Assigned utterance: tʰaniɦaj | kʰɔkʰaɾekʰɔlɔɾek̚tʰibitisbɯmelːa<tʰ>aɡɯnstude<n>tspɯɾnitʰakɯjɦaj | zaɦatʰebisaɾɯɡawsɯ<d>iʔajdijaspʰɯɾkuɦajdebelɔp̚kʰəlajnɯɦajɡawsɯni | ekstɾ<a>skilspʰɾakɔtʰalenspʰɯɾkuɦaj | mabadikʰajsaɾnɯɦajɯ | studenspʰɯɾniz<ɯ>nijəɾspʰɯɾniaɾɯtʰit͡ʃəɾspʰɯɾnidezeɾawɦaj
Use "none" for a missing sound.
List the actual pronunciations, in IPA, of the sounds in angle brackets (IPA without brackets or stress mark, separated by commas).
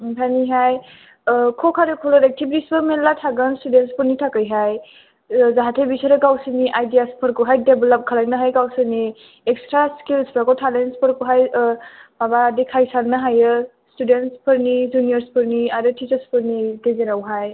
tʰ, n, n, a, u